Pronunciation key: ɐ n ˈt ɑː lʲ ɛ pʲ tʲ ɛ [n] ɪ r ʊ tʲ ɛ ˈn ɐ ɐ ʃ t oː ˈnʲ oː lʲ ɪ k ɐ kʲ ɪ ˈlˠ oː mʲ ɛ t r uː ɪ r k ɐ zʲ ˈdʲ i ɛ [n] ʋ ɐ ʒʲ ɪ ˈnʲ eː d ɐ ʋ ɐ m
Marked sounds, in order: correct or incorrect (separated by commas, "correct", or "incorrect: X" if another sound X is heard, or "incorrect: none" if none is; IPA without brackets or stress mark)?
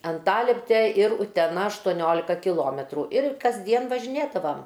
incorrect: none, correct